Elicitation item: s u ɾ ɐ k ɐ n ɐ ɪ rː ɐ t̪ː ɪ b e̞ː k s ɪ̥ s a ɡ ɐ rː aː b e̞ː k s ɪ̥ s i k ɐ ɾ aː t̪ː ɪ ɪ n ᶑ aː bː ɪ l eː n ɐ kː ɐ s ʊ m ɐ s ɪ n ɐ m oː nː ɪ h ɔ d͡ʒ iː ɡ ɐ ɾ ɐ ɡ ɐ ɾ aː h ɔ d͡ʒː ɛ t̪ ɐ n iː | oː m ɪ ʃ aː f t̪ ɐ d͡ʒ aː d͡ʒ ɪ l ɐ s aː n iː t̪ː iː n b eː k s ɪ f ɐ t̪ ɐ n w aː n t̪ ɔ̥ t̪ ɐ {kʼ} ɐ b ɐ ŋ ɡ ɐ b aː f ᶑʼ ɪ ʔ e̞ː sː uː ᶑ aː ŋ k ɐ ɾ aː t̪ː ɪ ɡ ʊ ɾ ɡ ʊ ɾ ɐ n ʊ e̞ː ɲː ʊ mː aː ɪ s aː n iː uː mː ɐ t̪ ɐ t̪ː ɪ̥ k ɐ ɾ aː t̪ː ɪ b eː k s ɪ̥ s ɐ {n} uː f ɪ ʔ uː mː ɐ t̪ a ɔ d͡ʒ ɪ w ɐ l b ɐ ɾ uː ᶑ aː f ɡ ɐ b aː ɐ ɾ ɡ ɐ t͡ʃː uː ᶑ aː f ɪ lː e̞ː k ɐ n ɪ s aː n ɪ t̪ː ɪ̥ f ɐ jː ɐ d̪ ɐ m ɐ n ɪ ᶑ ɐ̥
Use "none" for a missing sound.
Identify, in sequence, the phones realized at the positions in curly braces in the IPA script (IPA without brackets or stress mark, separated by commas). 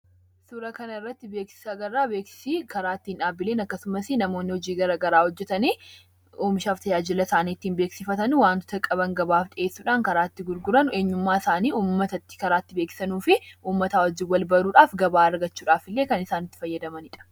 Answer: kʼ, n